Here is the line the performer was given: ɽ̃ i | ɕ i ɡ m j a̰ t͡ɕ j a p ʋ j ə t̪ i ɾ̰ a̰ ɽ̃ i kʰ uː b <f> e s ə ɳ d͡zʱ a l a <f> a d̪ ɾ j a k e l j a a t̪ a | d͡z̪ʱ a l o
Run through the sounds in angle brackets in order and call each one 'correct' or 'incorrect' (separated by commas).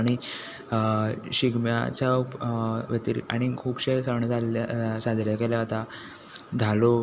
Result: incorrect, incorrect